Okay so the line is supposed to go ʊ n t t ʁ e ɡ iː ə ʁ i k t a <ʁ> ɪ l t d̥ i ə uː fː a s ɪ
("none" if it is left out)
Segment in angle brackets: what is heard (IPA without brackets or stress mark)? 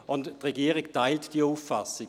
none